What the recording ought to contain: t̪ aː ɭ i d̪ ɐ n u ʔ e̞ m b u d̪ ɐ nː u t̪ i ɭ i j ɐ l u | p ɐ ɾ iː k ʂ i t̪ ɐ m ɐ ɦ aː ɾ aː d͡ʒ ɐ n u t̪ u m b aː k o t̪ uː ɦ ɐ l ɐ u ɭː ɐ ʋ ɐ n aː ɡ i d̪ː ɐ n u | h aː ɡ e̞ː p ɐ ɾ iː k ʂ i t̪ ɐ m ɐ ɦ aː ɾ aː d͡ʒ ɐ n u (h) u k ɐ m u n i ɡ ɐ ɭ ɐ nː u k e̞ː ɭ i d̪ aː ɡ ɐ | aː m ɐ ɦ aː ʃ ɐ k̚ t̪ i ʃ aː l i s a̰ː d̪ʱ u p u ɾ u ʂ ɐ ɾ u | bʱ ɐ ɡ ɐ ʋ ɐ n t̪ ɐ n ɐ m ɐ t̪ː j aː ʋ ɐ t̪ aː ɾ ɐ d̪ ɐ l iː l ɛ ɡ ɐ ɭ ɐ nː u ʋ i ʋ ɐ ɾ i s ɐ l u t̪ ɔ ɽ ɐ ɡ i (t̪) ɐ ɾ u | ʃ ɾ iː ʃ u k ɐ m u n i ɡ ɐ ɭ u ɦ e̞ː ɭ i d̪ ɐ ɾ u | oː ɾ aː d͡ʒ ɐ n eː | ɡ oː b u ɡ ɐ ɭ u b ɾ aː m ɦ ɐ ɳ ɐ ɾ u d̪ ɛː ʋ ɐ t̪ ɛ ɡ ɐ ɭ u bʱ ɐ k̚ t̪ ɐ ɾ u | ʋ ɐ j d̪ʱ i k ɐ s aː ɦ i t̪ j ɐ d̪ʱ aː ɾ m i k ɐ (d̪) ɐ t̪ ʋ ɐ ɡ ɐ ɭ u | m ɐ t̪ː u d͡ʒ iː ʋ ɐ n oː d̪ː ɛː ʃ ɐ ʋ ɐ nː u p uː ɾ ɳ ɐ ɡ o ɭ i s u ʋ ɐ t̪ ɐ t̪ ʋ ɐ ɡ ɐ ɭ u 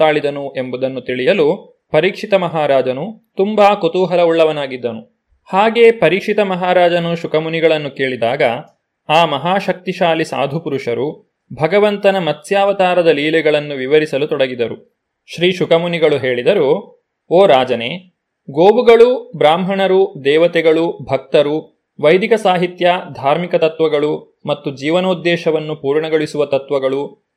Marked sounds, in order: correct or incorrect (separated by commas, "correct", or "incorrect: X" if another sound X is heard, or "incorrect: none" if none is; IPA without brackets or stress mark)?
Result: incorrect: ʃ, incorrect: d̪, incorrect: t̪